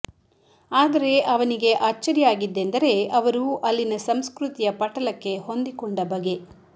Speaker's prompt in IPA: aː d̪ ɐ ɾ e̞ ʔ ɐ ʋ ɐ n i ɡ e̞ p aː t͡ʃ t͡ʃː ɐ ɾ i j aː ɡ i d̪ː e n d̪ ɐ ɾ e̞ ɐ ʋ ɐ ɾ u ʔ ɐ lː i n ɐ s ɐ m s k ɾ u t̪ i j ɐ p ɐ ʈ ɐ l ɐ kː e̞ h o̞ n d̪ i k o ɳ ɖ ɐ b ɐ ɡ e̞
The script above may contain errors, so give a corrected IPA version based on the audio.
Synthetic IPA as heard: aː d̪ ɐ ɾ e̞ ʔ ɐ ʋ ɐ n i ɡ e̞ ʔ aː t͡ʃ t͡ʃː ɐ ɾ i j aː ɡ i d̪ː e n d̪ ɐ ɾ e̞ ɐ ʋ ɐ ɾ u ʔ ɐ lː i n ɐ s ɐ m s k ɾ u t̪ i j ɐ p ɐ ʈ ɐ l ɐ kː e̞ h o̞ n d̪ i k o ɳ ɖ ɐ b ɐ ɡ e̞